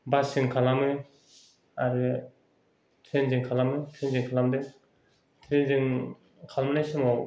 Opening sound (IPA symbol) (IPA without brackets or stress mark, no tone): b